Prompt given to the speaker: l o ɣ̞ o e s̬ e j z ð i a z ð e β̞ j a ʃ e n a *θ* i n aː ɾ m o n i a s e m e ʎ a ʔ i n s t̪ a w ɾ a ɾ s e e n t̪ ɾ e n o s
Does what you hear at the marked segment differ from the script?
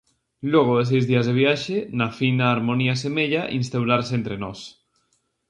yes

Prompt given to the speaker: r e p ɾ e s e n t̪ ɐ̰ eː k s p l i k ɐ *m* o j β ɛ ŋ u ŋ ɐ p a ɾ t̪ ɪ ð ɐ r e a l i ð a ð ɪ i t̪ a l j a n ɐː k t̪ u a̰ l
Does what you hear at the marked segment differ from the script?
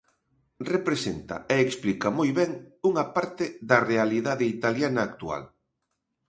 no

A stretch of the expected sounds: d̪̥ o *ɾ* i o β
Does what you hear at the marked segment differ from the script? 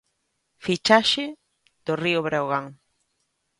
yes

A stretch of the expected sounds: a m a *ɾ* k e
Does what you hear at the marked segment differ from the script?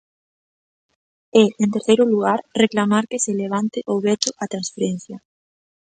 no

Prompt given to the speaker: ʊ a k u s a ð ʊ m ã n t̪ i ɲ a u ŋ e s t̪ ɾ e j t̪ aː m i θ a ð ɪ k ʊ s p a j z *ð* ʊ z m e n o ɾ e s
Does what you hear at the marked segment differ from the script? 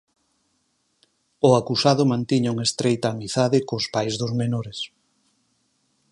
no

